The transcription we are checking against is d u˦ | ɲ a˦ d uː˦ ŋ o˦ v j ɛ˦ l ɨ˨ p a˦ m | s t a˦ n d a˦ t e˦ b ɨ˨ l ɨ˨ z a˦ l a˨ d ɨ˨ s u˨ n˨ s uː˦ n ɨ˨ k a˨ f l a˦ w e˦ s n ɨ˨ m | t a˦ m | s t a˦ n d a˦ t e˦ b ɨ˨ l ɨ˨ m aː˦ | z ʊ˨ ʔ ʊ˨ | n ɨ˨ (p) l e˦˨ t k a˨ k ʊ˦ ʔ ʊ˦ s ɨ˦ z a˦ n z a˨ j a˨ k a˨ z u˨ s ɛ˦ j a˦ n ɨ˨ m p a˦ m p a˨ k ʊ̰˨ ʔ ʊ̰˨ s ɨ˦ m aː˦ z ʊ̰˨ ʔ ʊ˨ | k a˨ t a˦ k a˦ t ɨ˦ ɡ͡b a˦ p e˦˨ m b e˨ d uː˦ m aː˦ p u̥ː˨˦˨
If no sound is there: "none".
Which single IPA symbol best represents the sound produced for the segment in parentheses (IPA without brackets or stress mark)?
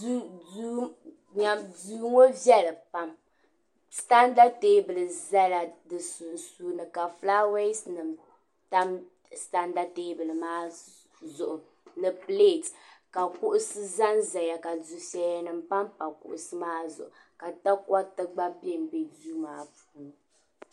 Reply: p